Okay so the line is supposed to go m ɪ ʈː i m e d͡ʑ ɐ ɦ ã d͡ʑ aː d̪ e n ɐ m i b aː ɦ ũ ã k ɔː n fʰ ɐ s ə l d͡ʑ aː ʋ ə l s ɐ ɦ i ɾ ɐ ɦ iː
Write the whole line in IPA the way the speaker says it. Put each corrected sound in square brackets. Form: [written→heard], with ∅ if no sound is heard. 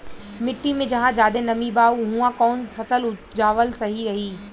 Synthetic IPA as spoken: m ɪ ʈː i m [e→ẽ] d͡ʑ ɐ ɦ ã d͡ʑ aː d̪ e n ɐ m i b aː ɦ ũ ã k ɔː n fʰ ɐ s ə l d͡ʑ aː ʋ ə l s ɐ ɦ i ɾ ɐ ɦ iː